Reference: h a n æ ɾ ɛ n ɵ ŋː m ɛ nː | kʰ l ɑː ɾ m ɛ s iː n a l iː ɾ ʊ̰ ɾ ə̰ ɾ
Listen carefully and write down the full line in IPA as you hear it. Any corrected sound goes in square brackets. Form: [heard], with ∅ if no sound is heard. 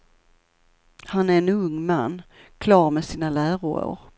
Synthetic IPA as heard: h a n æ ɾ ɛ n ɵ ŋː m [a] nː | kʰ l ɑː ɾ m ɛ s iː n a l [æː] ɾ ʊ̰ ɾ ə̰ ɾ